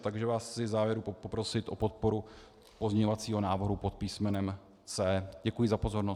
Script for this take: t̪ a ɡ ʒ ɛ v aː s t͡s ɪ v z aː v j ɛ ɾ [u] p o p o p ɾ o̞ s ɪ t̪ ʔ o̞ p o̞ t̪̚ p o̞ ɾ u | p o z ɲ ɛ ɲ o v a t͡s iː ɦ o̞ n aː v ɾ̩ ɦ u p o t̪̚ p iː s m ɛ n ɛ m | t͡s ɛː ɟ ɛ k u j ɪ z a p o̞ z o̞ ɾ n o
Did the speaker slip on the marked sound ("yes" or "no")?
no